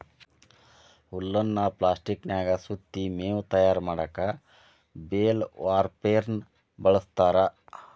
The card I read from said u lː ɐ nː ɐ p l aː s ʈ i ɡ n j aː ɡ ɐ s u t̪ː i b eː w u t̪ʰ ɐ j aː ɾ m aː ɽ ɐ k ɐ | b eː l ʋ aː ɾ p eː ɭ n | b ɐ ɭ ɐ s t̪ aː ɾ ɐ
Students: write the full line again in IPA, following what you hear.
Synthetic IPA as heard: u lː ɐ nː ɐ p l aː s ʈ i k n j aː ɡ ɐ s u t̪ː i m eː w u t̪ ɐ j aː ɾ m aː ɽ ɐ k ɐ | b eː l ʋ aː ɾ p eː ɾ n | b ɐ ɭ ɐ s t̪ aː ɾ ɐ

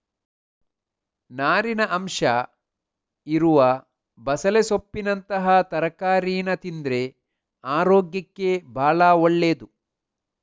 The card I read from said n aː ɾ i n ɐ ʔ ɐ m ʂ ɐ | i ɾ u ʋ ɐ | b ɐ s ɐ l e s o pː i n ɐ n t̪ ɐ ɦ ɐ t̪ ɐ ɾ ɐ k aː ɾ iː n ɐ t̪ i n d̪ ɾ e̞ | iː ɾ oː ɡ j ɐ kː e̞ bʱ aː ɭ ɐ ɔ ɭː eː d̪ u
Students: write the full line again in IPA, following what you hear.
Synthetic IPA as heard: n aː ɾ i n ɐ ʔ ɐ m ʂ ɐ | i ɾ u ʋ ɐ | b ɐ s ɐ l e s o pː i n ɐ n t̪ ɐ ɦ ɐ t̪ ɐ ɾ ɐ k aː ɾ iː n ɐ t̪ i n d̪ ɾ e̞ | aː ɾ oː ɡ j ɐ kː e̞ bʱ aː ɭ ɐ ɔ ɭː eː d̪ u

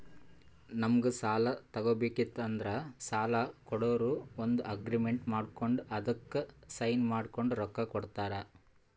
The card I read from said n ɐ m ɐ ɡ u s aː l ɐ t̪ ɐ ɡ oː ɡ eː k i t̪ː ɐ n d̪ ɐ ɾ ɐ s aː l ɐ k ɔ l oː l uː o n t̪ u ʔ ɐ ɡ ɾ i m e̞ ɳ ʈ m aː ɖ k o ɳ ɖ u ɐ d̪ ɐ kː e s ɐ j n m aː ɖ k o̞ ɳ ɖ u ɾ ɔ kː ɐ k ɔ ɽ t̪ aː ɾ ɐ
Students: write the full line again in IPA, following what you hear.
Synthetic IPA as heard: n ɐ m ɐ ɡ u s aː l ɐ t̪ ɐ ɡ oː b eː k i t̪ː ɐ n d̪ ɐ ɾ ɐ s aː l ɐ k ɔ ɽ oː ɾ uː o n d̪ u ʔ ɐ ɡ ɾ i m e̞ ɳ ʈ m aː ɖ k o ɳ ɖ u ɐ d̪ ɐ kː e s ɐ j n m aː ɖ k o̞ ɳ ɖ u ɾ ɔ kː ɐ k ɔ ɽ t̪ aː ɾ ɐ

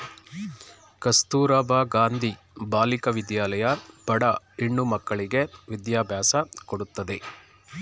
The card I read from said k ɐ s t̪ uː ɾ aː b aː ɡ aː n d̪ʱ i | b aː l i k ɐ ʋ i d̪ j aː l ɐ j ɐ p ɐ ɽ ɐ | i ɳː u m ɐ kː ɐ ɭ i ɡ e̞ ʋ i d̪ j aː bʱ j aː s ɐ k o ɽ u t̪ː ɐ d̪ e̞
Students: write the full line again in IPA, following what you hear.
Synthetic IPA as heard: k ɐ s t̪ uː ɾ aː b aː ɡ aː n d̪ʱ i | b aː l i k ɐ ʋ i d̪ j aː l ɐ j ɐ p ɐ ɽ ɐ | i ɳː u m ɐ kː ɐ ɭ i ɡ e̞ ʋ i d̪ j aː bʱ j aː s ɐ k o ɽ u t̪ː ɐ d̪ e̞

